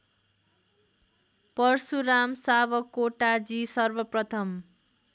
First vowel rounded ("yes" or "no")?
no